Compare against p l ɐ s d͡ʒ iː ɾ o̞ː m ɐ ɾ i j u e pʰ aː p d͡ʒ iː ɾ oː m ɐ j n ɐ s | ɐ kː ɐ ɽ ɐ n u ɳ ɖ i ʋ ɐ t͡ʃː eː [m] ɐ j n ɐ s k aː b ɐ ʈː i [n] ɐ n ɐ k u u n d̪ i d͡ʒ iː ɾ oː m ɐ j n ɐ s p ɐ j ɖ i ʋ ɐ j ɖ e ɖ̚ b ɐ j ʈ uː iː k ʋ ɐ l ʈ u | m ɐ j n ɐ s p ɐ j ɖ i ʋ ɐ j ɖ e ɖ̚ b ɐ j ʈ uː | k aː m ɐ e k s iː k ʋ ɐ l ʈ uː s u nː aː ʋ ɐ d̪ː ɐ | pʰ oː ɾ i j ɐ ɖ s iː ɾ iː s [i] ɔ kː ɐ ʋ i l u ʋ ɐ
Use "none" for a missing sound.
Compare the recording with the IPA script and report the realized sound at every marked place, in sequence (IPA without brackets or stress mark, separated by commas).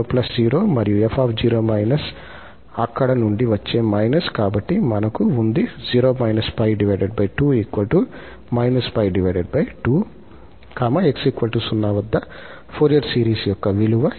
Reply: m, m, j